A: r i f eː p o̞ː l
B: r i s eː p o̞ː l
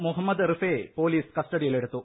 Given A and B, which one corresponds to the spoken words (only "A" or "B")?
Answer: A